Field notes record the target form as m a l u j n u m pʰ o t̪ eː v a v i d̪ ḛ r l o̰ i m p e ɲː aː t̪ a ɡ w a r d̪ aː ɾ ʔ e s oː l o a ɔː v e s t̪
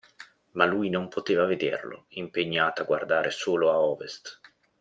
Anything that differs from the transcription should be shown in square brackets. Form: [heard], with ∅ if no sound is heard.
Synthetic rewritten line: m a l u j n [o] m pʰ o t̪ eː v a v [e] d̪ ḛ r l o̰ i m p e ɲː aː t̪ a ɡ w a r d̪ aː ɾ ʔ e s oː l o a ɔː v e s t̪